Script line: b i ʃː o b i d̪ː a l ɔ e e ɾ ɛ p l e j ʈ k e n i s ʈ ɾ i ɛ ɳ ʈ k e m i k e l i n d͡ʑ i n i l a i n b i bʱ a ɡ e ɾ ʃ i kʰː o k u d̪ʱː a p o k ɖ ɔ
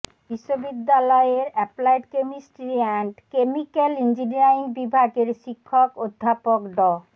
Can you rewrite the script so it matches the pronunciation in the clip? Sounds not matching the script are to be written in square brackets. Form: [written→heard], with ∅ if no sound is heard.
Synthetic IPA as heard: b i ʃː o b i d̪ː a l ɔ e e ɾ ɛ p l [e→a] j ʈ k e [n→m] i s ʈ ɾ i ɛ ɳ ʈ k e m i k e l i n d͡ʑ i n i [l→ɾ] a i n b i bʱ a ɡ e ɾ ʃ i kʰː o k [u→o] d̪ʱː a p o k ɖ ɔ